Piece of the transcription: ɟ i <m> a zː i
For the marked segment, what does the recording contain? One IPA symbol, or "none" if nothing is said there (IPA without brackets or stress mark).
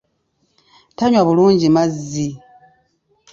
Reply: m